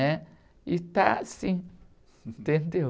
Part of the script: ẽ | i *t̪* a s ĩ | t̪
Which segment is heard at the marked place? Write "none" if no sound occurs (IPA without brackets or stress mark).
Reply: t̪